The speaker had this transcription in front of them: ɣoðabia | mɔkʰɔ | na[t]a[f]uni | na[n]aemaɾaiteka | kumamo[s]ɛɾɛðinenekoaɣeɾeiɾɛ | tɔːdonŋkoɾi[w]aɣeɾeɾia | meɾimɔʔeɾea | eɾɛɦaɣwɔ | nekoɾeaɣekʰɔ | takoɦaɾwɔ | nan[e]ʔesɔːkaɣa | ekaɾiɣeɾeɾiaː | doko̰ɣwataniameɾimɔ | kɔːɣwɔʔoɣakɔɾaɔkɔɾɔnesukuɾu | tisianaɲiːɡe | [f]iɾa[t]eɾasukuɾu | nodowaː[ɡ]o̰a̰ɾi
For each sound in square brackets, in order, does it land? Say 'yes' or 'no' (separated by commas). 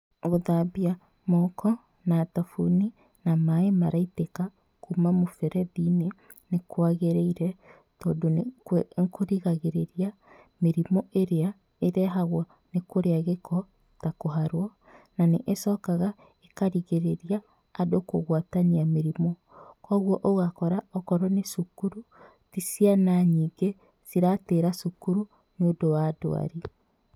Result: yes, yes, no, no, no, yes, no, yes, no